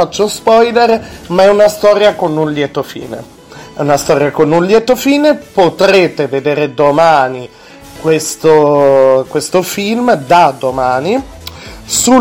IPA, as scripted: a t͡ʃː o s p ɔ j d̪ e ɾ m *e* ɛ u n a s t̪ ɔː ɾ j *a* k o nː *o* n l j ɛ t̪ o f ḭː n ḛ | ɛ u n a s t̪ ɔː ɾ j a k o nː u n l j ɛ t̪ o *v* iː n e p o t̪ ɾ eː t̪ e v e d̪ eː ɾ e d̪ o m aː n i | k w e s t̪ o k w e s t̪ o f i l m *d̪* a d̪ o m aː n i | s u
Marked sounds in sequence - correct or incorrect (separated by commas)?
incorrect, correct, incorrect, incorrect, correct